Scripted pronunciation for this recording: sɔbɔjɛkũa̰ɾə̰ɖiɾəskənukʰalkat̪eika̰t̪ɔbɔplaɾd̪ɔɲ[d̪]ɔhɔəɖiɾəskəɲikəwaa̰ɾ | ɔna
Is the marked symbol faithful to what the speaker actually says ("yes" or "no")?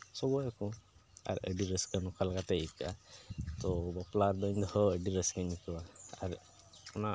yes